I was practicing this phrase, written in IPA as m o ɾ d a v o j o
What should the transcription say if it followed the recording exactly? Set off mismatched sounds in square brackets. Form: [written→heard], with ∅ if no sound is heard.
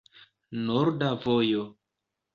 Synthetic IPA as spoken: [m→n] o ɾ d a v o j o